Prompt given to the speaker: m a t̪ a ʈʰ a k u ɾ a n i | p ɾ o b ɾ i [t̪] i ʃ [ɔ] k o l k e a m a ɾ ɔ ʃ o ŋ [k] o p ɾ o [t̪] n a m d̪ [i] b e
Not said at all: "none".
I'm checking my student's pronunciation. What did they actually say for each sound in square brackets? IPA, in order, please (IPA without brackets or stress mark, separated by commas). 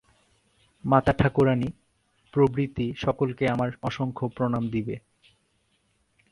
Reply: t̪, ɔ, kʰ, none, i